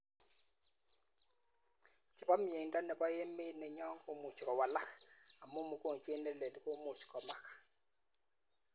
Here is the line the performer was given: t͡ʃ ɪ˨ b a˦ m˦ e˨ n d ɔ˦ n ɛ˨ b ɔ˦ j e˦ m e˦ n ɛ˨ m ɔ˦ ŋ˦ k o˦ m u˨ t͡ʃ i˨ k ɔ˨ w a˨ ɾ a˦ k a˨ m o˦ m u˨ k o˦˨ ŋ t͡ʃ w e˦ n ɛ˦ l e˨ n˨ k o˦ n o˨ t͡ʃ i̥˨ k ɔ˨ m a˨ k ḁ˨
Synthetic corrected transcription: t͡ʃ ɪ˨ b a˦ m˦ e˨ n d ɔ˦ n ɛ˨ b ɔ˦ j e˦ m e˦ n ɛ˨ ɲ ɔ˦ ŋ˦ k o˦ m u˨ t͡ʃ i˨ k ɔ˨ w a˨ l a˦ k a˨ m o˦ m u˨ k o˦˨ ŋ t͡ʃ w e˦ n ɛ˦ l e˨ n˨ k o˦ m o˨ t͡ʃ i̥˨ k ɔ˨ m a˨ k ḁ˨